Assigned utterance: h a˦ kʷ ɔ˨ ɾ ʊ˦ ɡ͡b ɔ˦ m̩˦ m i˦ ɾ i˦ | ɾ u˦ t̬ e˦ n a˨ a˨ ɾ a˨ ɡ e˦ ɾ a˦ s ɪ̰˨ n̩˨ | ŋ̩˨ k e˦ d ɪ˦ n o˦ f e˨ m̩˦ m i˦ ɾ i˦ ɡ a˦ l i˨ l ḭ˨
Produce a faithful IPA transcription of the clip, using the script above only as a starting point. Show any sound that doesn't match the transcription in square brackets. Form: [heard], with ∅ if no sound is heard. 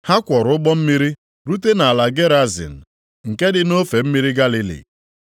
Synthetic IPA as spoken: h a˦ kʷ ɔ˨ ɾ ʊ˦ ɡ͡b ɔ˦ m̩˦ m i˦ ɾ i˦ | ɾ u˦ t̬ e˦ n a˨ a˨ [l] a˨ ɡ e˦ ɾ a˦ [z] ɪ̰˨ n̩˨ | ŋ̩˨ k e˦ d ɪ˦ n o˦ f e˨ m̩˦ m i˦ ɾ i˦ ɡ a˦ l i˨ l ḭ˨